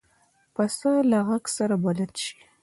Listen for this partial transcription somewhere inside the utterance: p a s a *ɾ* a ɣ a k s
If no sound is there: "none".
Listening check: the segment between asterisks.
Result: l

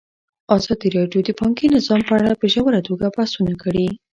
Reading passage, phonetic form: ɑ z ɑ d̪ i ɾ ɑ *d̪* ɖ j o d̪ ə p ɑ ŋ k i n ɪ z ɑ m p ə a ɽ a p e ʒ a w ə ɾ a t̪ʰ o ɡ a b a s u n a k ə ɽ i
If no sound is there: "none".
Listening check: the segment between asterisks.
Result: none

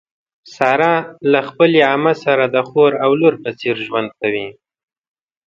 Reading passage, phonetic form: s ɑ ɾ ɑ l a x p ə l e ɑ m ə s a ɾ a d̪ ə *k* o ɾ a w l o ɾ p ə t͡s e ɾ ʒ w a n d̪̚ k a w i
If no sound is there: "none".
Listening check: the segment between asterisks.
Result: x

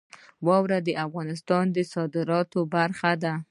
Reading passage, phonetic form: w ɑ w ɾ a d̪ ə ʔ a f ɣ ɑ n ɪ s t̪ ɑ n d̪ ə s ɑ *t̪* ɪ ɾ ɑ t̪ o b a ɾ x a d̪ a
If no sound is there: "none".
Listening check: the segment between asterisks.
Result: d̪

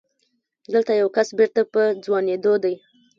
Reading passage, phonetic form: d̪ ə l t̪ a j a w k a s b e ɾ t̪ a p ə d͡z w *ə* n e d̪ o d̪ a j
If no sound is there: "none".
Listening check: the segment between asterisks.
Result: ɑ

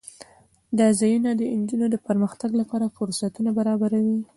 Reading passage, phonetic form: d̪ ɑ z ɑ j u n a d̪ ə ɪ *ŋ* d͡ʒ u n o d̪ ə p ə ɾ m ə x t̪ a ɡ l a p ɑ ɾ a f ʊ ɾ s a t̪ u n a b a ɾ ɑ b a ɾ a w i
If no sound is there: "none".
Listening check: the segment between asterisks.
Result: n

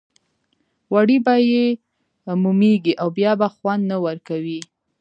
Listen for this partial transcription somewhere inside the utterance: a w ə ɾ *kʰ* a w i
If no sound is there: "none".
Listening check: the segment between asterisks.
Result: k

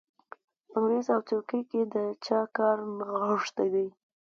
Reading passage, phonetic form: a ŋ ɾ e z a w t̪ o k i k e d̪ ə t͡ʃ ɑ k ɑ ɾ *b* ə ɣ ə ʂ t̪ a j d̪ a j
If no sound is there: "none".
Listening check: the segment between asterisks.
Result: m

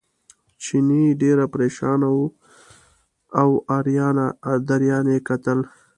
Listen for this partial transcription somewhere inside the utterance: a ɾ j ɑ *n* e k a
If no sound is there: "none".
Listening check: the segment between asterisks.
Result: n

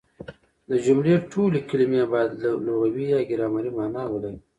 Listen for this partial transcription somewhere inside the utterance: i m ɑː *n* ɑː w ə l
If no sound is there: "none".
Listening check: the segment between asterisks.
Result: n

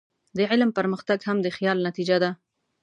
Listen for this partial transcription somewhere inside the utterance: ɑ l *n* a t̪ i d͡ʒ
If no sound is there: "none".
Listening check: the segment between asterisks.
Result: n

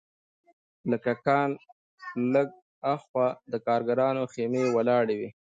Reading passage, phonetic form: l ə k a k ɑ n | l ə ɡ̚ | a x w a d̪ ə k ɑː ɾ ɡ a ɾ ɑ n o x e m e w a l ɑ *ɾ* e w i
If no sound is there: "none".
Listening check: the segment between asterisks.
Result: ɽ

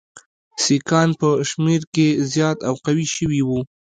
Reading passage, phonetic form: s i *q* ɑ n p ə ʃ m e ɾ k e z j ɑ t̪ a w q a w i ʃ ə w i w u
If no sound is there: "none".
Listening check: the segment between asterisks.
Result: k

